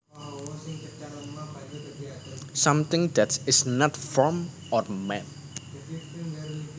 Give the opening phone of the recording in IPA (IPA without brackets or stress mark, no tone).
s